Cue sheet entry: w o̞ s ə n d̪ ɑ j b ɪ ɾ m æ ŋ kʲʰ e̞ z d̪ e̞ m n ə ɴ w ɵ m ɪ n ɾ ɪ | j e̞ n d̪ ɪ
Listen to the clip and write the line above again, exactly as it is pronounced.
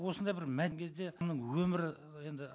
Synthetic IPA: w o̞ s ə n d̪ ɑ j b ɪ ɾ m æ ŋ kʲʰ e̞ z d̪ e̞ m n ə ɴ w ɵ m ɪ ɾ ɪ | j e̞ n d̪ ɪ